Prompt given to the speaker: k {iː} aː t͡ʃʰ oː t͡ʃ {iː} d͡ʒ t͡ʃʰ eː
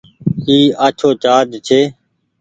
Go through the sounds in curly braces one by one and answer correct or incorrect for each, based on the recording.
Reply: correct, incorrect: aː

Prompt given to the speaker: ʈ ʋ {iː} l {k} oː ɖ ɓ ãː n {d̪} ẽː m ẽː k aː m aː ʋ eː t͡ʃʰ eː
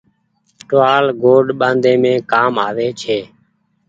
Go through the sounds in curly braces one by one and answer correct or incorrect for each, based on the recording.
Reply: incorrect: aː, incorrect: ɡ, correct

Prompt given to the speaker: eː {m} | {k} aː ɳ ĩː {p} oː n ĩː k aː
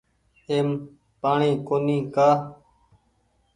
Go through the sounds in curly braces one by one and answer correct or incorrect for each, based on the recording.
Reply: correct, incorrect: p, incorrect: k

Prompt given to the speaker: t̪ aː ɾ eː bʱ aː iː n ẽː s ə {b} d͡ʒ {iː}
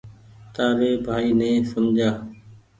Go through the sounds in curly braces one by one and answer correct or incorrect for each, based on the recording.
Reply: incorrect: m, incorrect: aː

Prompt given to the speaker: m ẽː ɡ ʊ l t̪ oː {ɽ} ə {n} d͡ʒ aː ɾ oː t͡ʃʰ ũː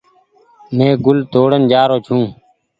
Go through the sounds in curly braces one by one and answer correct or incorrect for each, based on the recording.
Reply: correct, correct

